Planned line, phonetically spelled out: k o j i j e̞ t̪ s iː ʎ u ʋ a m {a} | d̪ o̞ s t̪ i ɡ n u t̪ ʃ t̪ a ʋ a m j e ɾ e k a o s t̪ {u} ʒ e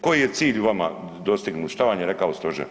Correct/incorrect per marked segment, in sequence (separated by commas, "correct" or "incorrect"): correct, incorrect